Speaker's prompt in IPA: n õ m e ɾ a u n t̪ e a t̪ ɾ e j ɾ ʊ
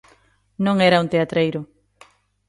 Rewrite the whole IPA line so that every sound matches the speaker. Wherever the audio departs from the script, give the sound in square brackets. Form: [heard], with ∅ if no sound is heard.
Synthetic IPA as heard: n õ [ŋ] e ɾ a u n t̪ e a t̪ ɾ e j ɾ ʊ